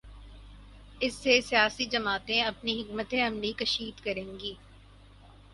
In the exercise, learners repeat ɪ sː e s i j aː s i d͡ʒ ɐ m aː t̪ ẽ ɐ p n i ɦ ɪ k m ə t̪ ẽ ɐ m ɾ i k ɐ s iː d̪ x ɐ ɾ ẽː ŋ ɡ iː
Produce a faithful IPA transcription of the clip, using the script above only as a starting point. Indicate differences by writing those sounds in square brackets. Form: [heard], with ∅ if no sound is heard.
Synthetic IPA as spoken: ɪ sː e s i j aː s i d͡ʒ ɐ m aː t̪ ẽ ɐ p n i ɦ ɪ k m ə t̪ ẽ ɐ m [l] i k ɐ [ʃ] iː d̪ [k] ɐ ɾ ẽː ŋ ɡ iː